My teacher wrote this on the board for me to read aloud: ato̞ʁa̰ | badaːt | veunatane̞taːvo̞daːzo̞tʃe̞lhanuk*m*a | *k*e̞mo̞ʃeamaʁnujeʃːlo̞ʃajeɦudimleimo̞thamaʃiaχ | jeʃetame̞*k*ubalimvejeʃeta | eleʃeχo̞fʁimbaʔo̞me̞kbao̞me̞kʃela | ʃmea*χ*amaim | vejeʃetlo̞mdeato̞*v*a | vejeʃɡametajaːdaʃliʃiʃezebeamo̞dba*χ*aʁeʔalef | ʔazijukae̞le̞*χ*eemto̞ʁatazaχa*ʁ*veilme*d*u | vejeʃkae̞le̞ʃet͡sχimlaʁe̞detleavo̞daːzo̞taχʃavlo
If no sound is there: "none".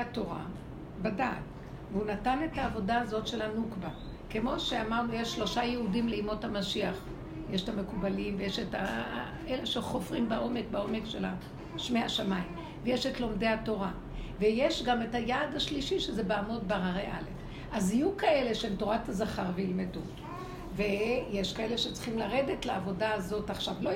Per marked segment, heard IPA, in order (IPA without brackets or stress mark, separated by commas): b, k, k, ʃ, ʁ, ʁ, ʃ, ʁ, d